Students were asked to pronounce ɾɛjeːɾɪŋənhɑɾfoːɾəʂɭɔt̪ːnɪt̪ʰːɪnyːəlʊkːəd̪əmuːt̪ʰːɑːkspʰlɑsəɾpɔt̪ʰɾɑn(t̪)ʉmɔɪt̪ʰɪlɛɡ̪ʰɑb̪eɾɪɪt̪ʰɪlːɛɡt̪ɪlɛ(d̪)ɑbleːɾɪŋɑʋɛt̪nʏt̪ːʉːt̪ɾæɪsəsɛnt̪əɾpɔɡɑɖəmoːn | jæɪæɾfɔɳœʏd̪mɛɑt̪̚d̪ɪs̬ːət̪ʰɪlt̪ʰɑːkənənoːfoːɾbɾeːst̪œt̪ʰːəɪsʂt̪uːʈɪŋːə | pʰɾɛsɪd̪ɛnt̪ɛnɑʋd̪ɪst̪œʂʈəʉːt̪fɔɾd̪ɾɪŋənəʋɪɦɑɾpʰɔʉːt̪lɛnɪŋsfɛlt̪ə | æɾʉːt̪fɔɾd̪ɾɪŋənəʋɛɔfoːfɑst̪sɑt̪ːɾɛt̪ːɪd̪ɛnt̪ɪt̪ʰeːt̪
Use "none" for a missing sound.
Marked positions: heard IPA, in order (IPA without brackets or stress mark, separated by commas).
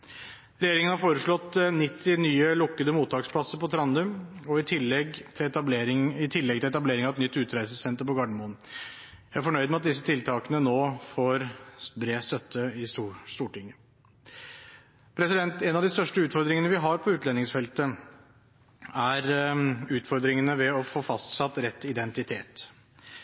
d̪, t̪